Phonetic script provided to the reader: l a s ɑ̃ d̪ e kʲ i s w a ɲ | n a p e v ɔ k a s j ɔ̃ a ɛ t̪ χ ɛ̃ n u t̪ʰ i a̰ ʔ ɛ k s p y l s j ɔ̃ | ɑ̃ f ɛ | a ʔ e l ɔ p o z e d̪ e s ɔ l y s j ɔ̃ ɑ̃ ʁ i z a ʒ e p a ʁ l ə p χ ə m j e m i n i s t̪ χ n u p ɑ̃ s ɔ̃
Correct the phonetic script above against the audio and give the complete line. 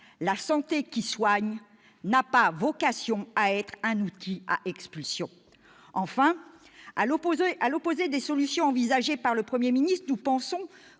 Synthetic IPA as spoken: l a s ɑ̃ t̪ e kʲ i s w a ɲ | n a p a v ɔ k a s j ɔ̃ a ɛ t̪ χ ɛ̃ n u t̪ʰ i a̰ ʔ ɛ k s p y l s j ɔ̃ | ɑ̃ f ɛ̃ | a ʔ a l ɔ p o z e d̪ e s ɔ l y s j ɔ̃ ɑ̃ v i z a ʒ e p a ʁ l ə p χ ə m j e m i n i s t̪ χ n u p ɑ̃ s ɔ̃